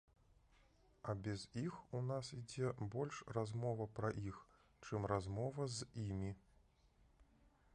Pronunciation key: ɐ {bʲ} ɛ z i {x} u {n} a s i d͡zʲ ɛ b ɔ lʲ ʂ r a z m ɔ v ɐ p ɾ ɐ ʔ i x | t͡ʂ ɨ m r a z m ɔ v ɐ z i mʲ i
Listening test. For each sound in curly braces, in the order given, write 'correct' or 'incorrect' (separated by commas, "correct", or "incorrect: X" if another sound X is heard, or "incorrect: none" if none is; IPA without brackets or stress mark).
correct, correct, correct